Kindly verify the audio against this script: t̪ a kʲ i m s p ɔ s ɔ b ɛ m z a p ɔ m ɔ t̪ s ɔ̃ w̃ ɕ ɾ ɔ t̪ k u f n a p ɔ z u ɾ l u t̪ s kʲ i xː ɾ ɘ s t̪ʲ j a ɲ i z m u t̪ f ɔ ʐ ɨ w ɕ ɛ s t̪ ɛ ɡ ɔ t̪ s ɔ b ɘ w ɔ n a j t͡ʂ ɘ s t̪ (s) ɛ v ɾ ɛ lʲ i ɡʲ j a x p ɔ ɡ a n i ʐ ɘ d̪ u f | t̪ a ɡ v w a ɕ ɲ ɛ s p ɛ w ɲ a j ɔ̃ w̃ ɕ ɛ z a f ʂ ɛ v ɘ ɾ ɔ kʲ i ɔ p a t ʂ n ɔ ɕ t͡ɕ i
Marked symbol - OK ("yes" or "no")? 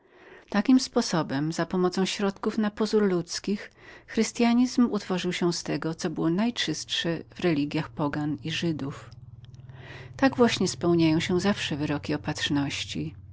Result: no